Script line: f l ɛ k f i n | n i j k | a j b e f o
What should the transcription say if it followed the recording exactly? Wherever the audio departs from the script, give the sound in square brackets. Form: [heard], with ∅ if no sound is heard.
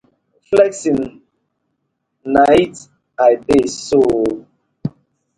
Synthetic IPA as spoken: f l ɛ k [s] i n | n [a] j [t] | a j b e [s] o